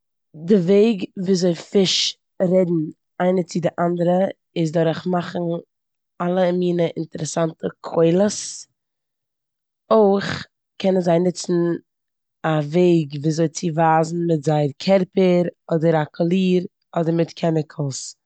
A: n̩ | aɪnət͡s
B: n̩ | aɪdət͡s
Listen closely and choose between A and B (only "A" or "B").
A